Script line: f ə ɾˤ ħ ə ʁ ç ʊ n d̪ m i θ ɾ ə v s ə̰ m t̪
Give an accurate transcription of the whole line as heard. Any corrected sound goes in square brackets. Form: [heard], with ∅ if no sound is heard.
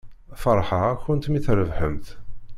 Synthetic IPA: f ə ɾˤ ħ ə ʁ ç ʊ n [t̪] m i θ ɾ ə v [ħ] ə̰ m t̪